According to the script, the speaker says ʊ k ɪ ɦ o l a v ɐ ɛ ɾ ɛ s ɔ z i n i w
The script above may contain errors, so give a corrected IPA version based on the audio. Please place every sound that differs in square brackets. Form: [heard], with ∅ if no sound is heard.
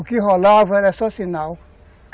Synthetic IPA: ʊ k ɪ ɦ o l a v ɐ ɛ ɾ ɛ s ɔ [s] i n [a] w